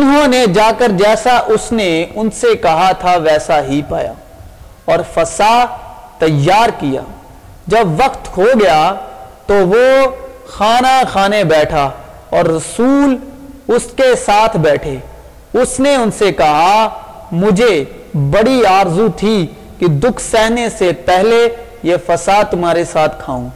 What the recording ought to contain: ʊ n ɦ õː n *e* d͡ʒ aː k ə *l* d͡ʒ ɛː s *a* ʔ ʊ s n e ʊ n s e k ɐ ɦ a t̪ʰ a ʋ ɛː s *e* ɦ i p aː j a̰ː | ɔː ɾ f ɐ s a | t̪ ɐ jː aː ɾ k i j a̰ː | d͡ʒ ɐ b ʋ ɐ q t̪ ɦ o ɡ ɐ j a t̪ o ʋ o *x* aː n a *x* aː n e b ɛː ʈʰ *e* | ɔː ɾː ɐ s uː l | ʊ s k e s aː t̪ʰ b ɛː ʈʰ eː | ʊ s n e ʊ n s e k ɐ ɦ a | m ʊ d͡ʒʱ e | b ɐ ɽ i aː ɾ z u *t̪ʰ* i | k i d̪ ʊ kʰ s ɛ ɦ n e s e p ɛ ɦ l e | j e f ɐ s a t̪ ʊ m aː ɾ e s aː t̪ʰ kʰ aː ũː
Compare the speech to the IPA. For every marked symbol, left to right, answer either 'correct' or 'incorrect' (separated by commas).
correct, incorrect, correct, incorrect, correct, correct, incorrect, correct